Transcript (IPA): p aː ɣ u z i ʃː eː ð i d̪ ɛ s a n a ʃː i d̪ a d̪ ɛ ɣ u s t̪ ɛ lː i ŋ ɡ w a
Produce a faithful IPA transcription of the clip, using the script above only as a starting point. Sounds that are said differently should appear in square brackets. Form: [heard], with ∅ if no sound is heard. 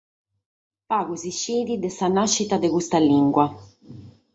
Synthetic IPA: p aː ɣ u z i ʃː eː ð i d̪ ɛ s a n a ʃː i [t̪] a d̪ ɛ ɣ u s t̪ [a] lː i ŋ ɡ w a